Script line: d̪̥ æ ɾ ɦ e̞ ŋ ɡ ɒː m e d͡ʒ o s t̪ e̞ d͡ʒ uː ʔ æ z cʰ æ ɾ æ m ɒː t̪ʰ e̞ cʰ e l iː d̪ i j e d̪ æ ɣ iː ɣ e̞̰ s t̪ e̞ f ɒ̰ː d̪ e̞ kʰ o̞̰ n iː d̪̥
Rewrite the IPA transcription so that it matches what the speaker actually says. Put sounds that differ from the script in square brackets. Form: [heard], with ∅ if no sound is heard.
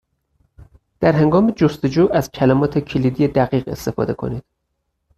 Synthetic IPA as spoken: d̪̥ æ ɾ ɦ e̞ ŋ ɡ ɒː m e d͡ʒ o s t̪ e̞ d͡ʒ uː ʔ æ z cʰ æ [l] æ m ɒː t̪ʰ e̞ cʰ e l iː d̪ i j e d̪ æ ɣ iː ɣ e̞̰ s t̪ e̞ f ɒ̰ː d̪ e̞ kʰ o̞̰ n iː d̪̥